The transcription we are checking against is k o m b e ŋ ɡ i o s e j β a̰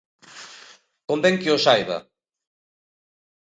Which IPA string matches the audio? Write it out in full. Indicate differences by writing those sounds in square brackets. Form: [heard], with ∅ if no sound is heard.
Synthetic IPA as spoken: k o m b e ŋ [k] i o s [a] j β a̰